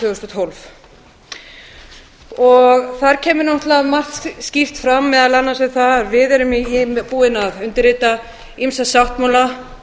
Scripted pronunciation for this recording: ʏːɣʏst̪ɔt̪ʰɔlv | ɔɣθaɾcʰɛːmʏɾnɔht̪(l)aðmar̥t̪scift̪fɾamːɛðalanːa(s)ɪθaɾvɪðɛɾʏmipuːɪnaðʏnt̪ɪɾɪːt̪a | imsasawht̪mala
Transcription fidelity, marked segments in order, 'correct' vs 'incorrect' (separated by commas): correct, correct